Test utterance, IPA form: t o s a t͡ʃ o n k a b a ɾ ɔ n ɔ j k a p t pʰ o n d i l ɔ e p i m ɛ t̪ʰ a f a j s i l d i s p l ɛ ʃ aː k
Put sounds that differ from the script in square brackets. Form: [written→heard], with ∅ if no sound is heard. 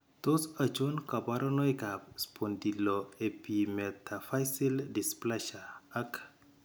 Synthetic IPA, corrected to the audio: t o s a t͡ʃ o n k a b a ɾ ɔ n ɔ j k a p [t→s] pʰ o n d i l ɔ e p i m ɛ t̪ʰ a f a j s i l d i s p l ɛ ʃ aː k